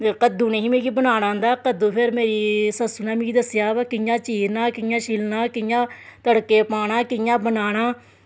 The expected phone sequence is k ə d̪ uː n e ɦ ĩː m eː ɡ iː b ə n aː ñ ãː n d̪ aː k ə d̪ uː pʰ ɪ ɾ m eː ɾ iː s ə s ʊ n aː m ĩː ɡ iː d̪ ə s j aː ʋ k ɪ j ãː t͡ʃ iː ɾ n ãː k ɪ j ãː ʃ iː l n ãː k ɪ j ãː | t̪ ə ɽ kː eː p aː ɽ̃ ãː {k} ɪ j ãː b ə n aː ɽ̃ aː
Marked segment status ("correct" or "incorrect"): correct